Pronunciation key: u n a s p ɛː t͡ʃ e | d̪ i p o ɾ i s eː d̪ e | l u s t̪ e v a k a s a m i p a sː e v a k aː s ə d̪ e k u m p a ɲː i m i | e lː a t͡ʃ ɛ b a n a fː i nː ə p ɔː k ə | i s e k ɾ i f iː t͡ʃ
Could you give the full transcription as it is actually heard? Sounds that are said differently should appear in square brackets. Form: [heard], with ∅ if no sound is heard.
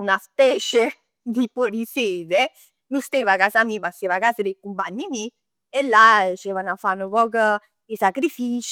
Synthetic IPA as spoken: u n a s p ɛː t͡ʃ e | d̪ i p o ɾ i s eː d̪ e | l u s t̪ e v a k a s a m i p a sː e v a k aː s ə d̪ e k u m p a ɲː i m i | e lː a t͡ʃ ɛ [v] a n a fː [a] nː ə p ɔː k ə | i s [a] k ɾ i f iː t͡ʃ